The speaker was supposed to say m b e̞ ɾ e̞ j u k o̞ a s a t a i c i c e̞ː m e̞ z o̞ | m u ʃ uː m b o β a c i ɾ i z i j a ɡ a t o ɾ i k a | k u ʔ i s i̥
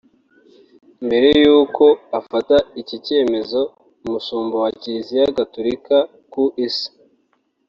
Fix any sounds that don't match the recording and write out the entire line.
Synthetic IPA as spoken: m b e̞ ɾ e̞ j uː k o̞ a f a t a i c i c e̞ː m e̞ z o̞ | m u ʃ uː m b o w a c i ɾ i z i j a ɡ a t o ɾ i k a | k u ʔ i s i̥